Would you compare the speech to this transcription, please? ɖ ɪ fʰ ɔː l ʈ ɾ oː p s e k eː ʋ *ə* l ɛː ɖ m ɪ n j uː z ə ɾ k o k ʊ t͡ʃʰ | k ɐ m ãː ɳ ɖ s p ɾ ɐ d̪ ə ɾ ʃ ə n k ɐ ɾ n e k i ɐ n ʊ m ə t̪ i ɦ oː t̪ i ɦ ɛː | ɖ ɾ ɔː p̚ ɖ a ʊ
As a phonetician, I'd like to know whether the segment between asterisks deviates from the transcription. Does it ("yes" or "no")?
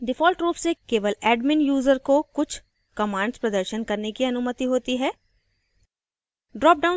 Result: no